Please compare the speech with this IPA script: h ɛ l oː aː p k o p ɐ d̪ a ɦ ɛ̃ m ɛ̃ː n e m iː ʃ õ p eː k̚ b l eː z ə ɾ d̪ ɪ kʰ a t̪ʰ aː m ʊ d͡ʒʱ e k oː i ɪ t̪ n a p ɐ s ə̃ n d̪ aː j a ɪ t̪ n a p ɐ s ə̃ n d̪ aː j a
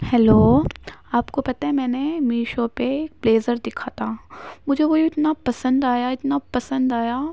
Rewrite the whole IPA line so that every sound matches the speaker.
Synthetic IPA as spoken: h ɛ l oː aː p k o p ɐ t̪ a ɦ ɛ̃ m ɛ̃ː n e m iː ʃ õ p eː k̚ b l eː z ə ɾ d̪ ɪ kʰ a t̪ʰ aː m ʊ d͡ʒʱ e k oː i ɪ t̪ n a p ɐ s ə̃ n d̪ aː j a ɪ t̪ n a p ɐ s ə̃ n d̪ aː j a

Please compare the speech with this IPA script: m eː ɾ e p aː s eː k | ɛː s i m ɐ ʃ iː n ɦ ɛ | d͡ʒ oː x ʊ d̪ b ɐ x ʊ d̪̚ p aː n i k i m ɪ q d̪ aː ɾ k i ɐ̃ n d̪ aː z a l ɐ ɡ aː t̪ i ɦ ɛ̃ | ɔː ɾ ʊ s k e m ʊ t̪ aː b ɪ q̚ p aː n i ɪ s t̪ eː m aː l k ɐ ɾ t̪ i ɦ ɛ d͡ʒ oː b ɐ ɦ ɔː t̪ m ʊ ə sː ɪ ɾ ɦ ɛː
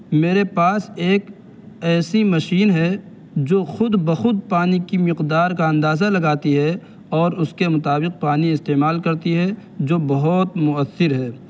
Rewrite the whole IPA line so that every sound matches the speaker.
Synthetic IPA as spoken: m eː ɾ e p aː s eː k | ɛː s i m ɐ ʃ iː n ɦ ɛ | d͡ʒ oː x ʊ d̪ b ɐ x ʊ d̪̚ p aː n i k i m ɪ q d̪ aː ɾ k a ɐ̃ n d̪ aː z a l ɐ ɡ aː t̪ i ɦ ɛ | ɔː ɾ ʊ s k e m ʊ t̪ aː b ɪ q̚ p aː n i ɪ s t̪ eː m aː l k ɐ ɾ t̪ i ɦ ɛ d͡ʒ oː b ɐ ɦ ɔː t̪ m ʊ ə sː ɪ ɾ ɦ ɛː

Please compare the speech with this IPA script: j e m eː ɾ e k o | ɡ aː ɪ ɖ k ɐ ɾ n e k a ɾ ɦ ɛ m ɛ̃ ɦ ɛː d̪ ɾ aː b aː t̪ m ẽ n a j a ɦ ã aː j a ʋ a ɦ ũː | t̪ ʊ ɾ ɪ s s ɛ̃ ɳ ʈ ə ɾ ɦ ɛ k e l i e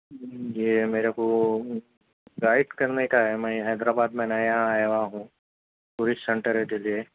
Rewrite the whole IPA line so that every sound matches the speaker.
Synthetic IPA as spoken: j e m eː ɾ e k o | ɡ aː ɪ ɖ k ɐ ɾ n e k a ɦ ɛ m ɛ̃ ɦ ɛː d̪ ɾ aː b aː d̪ m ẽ n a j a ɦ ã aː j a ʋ a ɦ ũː | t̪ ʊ ɾ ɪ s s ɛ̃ ɳ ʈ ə ɾ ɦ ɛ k e l i e

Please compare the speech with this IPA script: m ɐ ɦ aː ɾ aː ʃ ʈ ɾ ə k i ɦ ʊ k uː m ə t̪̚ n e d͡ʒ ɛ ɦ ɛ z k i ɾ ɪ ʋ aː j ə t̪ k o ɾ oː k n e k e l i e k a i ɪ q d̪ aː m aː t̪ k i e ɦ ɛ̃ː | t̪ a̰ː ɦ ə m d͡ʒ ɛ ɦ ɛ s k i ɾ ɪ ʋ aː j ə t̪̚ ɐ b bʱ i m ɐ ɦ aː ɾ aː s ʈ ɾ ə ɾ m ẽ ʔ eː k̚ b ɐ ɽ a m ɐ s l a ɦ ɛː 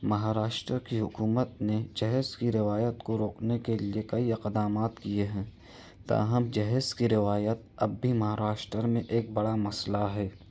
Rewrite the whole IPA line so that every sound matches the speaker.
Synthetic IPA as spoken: m ɐ ɦ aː ɾ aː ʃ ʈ ɾ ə k i ɦ ʊ k uː m ə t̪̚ n e d͡ʒ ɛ ɦ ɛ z k i ɾ ɪ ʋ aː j ə t̪ k o ɾ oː k n e k e l i e k ɐ i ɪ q d̪ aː m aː t̪ k i e ɦ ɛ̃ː | t̪ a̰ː ɦ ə m d͡ʒ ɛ ɦ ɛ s k i ɾ ɪ ʋ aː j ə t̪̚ ɐ b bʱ i m ɐ ɦ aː ɾ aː ʃ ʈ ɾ ə ɾ m ẽ ʔ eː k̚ b ɐ ɽ a m ɐ s l a ɦ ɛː

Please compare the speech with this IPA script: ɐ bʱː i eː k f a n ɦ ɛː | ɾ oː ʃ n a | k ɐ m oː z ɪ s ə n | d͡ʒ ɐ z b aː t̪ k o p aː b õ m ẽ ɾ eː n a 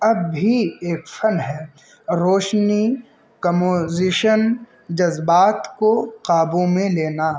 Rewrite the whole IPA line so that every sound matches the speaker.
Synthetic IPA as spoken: ɐ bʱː i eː k f ɐ n ɦ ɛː | ɾ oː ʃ n i | k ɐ m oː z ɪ ʃ ə n | d͡ʒ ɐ z b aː t̪ k o q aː b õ m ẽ l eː n a

